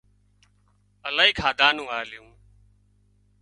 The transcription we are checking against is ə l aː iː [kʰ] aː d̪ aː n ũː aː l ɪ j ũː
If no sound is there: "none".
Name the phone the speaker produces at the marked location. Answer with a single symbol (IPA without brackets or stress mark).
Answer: kʰ